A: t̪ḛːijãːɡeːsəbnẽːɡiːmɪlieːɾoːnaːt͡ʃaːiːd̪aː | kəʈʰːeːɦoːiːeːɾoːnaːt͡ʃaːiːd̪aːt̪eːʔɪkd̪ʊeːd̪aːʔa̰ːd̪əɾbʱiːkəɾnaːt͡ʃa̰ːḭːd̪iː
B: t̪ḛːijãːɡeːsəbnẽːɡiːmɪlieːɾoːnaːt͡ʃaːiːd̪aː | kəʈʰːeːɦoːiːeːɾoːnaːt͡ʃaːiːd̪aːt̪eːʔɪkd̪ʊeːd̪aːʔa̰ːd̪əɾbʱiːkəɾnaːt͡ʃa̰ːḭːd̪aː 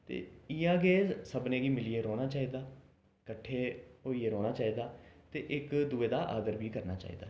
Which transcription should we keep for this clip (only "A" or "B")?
B